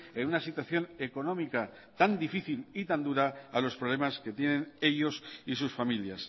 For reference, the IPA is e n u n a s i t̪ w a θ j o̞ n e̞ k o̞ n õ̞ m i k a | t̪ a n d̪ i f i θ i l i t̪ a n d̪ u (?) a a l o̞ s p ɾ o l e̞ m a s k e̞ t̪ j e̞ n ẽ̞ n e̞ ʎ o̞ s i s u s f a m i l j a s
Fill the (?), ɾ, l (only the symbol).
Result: ɾ